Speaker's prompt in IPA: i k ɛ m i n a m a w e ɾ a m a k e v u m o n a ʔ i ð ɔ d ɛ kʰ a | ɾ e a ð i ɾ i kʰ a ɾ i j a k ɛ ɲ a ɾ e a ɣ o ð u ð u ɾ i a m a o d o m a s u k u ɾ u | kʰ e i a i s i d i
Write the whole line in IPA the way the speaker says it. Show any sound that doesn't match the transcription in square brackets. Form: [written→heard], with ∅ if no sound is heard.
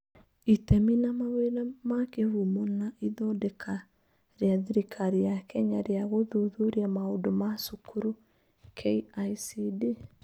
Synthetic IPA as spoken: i [k→t] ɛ m i n a m a w e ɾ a m a k e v u m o n a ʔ i ð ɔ d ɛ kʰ a | ɾ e a ð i ɾ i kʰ a ɾ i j a k ɛ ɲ a ɾ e a ɣ o ð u ð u ɾ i a m a o d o m a s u k u ɾ u | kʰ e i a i s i d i